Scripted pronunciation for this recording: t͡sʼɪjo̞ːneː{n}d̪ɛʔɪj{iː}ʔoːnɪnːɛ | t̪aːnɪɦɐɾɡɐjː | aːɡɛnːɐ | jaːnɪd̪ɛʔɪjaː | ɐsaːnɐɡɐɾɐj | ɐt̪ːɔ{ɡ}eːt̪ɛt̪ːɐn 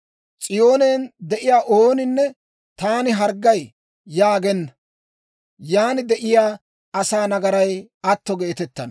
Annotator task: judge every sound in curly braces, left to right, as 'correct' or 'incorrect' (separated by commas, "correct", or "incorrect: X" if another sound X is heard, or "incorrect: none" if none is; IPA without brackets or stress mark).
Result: correct, incorrect: aː, correct